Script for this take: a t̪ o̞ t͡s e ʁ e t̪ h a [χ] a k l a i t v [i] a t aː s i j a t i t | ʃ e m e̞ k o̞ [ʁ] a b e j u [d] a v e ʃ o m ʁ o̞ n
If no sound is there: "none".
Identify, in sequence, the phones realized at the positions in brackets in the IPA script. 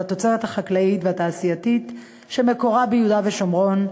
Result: χ, e, ʁ, d

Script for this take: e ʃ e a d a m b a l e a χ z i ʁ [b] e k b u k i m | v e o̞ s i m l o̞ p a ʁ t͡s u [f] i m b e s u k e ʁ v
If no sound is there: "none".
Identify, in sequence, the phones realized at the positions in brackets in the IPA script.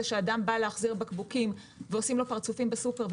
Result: b, f

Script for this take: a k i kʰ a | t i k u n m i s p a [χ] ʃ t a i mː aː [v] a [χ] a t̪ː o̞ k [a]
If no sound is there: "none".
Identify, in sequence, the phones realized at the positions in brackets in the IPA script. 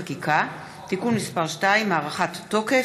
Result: ʁ, ʁ, χ, e

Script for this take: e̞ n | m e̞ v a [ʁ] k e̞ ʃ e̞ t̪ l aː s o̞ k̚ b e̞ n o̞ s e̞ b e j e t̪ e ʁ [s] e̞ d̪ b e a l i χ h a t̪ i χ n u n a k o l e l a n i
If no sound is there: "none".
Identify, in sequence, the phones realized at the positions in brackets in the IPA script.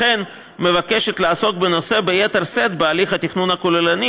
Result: none, s

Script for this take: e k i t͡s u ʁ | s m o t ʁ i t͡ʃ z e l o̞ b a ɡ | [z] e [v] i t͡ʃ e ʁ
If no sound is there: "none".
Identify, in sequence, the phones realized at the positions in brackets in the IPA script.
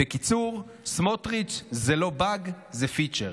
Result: z, f

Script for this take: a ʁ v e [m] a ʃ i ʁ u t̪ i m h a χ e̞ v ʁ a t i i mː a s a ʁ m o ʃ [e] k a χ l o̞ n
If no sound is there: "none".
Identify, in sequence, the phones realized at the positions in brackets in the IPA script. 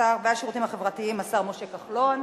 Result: none, e

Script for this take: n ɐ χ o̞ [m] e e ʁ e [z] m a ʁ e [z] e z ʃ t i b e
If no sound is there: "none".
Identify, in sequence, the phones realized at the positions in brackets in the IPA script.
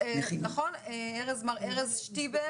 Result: n, z, ʁ

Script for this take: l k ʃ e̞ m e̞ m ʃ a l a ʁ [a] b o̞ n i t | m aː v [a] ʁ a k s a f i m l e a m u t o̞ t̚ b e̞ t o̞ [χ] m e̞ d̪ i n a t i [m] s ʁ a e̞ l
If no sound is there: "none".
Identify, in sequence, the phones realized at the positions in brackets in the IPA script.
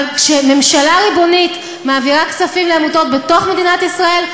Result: i, i, χ, none

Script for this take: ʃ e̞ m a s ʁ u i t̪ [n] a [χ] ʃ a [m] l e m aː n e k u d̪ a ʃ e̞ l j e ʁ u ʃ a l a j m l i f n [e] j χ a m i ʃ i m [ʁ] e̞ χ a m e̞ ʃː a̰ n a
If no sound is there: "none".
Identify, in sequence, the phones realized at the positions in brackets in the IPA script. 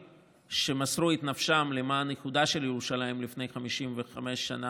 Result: n, f, m, e, v

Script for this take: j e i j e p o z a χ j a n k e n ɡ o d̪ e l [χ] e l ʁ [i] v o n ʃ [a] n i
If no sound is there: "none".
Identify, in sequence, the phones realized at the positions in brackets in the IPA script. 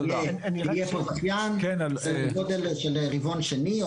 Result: ʃ, i, e

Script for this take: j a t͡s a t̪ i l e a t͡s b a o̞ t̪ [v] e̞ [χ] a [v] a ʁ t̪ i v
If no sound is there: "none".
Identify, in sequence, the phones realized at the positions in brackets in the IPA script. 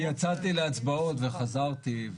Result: v, χ, z

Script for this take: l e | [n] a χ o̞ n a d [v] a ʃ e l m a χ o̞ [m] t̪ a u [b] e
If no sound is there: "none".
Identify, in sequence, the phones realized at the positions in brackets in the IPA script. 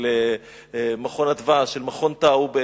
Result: m, v, n, b

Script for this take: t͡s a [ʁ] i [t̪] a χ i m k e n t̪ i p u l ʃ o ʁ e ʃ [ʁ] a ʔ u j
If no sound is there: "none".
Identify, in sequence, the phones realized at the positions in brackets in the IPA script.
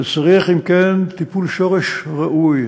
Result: ʁ, none, ʁ

